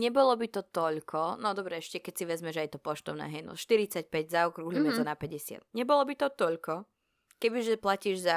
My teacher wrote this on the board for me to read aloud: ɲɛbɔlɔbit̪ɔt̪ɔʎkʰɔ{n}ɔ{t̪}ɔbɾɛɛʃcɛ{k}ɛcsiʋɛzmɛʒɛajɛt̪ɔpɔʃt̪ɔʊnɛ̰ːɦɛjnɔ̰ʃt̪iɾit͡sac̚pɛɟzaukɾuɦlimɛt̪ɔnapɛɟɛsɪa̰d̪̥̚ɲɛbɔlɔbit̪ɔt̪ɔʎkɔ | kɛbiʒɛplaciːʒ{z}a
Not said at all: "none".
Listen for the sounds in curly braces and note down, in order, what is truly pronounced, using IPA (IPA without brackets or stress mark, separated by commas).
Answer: n, d̪, k, z